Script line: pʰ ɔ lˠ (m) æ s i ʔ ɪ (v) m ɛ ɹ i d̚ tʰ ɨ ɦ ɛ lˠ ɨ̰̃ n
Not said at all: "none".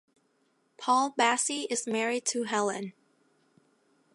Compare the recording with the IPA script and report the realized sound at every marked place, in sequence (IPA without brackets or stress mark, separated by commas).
b, z